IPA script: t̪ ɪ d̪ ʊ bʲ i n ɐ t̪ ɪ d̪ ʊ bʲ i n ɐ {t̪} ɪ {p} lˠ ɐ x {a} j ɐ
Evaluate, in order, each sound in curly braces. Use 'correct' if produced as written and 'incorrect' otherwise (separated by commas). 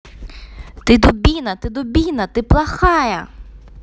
correct, correct, incorrect